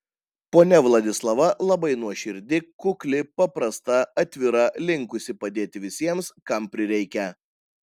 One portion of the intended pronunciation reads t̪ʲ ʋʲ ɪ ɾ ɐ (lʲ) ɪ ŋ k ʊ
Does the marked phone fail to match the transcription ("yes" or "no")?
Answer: no